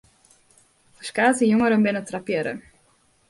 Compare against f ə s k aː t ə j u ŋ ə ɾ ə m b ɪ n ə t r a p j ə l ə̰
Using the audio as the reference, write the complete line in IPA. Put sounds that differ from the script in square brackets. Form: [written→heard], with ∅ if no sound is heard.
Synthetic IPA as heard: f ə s k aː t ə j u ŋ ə ɾ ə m b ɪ n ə t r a p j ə [l→ɾ] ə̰